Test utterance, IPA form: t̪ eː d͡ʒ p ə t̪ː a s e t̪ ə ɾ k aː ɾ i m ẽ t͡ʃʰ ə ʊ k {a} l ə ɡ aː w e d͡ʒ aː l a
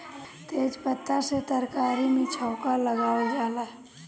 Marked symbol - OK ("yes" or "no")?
yes